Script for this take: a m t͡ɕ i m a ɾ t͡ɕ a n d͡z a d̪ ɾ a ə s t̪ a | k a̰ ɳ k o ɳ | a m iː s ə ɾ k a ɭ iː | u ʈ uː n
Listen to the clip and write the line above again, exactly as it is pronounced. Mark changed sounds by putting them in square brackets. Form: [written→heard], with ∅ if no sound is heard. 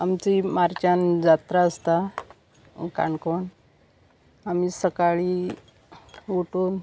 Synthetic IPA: a m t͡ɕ i m a ɾ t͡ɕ a n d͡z a [d̪→t̪] ɾ a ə s t̪ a | k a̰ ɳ k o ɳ | a m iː s ə [ɾ→∅] k a ɭ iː | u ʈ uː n